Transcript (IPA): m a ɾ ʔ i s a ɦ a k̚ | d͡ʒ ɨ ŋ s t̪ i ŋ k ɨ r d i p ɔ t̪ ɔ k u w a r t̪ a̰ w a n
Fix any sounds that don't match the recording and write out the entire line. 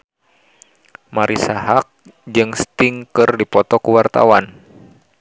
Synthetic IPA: m a ɾ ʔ i s a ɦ a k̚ | d͡ʒ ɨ ŋ s t̪ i ŋ k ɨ r d i p ɔ t̪ ɔ k u w a r t̪ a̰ w a n